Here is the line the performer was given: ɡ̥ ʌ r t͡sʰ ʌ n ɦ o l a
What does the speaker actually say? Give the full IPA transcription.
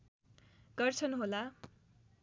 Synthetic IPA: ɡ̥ ʌ r t͡sʰ ʌ n ɦ o l a